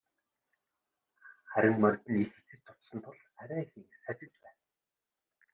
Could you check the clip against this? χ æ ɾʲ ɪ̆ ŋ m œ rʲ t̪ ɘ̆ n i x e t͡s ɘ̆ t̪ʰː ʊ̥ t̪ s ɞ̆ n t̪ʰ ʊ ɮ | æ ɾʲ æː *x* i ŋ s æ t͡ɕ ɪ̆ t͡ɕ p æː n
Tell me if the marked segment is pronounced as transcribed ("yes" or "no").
yes